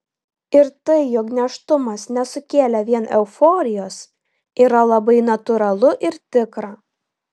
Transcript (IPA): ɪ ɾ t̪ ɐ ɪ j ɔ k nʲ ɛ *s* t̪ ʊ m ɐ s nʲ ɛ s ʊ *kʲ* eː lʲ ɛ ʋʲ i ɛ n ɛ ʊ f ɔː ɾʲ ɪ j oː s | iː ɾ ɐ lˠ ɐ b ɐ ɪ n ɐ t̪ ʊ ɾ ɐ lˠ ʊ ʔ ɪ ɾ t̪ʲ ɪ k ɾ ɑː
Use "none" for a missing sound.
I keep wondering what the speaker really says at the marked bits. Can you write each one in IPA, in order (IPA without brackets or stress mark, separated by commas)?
ʃ, kʲ